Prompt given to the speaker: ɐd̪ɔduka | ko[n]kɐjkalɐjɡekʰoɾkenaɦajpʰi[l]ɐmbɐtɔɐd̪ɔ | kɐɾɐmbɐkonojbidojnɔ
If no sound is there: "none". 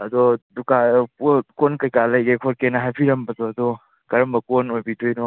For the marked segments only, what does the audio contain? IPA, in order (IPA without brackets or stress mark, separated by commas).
n, ɾ